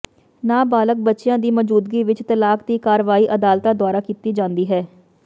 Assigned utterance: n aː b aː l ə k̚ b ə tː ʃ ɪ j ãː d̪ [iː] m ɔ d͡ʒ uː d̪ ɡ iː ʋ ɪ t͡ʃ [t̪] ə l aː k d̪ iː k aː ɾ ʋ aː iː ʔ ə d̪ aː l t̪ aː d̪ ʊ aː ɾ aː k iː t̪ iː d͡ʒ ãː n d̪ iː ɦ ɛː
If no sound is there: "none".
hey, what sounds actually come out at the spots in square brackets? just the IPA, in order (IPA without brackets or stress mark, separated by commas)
iː, t̪